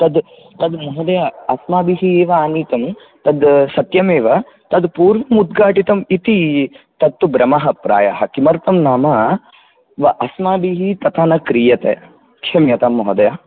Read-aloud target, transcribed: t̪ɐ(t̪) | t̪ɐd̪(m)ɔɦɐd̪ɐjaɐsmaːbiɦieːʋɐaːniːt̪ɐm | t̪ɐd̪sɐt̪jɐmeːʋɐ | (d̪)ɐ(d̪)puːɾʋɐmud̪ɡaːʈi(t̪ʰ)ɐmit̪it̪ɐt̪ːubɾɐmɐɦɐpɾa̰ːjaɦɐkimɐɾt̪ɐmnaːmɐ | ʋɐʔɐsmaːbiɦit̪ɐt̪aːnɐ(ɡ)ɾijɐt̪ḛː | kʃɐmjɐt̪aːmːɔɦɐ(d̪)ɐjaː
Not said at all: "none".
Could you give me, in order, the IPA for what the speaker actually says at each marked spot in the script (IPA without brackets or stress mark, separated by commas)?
d̪, m, t̪, d̪, t̪, k, d̪